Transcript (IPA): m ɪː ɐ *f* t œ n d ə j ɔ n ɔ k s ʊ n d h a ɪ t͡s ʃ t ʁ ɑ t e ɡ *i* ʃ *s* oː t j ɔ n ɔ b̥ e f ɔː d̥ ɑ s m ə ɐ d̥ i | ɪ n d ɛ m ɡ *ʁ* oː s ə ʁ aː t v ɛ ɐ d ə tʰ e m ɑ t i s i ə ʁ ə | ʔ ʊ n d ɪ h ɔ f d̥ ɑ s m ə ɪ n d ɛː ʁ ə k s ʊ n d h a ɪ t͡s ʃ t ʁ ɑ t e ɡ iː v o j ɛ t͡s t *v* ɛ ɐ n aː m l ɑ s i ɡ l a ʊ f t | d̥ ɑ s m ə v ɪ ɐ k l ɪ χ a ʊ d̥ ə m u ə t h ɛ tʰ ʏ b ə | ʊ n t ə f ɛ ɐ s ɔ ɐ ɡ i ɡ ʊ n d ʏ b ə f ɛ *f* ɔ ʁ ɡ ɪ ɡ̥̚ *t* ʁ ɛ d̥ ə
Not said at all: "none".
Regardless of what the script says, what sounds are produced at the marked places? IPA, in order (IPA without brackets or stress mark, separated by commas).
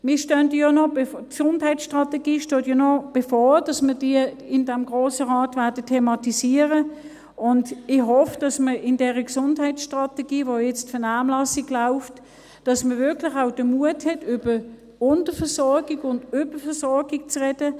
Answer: ʃ, iː, t, ʁ, f, s, t͡s